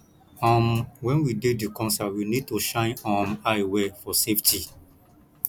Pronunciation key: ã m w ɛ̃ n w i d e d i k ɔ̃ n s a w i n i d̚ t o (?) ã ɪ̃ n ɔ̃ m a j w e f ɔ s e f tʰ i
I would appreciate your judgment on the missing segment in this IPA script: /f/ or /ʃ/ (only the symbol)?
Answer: ʃ